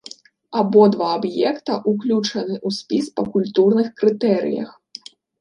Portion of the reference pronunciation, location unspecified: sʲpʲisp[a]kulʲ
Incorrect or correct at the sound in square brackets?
incorrect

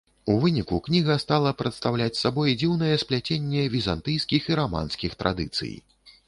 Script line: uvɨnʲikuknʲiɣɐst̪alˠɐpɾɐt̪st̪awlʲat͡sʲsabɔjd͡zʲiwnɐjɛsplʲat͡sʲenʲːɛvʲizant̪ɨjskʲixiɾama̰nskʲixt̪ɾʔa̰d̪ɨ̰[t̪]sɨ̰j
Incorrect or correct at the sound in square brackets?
correct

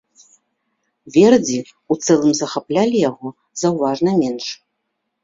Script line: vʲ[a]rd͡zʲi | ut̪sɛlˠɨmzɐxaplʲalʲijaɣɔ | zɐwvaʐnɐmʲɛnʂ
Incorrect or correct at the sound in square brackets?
incorrect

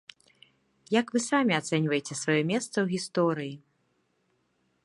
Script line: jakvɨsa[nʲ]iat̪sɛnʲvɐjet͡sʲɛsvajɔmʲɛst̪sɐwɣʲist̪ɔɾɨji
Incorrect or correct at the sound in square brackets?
incorrect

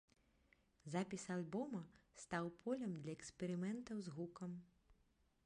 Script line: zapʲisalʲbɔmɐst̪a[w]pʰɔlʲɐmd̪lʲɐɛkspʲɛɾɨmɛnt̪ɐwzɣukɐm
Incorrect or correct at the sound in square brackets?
correct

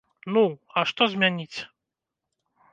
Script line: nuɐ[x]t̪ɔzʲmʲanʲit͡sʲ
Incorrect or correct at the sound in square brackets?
incorrect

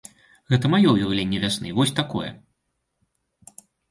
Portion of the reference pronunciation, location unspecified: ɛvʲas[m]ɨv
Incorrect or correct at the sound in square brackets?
incorrect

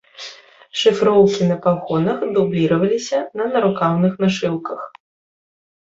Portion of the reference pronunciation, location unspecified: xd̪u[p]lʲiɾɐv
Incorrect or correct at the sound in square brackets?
incorrect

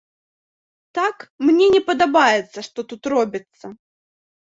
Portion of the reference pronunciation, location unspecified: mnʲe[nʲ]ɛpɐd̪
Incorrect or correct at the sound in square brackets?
correct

